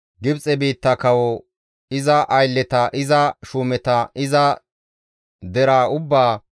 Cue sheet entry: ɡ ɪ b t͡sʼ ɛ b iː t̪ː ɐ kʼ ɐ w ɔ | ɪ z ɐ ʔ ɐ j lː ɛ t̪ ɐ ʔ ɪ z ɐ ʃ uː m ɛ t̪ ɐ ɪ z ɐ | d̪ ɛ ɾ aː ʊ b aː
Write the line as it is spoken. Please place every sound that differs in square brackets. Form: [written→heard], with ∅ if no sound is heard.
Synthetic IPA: ɡ ɪ b t͡sʼ ɛ b iː t̪ː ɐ [kʼ→k] ɐ w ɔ | ɪ z ɐ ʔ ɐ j lː ɛ t̪ ɐ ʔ ɪ z ɐ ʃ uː m ɛ t̪ ɐ ɪ z ɐ | d̪ ɛ ɾ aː ʊ [b→bː] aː